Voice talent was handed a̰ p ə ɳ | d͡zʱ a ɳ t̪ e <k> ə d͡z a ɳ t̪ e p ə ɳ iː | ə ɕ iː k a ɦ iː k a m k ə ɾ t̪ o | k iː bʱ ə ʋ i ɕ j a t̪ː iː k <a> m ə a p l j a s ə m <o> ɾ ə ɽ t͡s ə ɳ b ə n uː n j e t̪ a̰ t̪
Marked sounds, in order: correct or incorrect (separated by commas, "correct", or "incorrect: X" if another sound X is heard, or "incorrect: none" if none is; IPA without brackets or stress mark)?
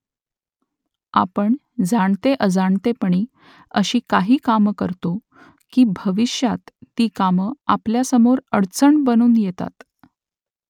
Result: incorrect: ʔ, correct, correct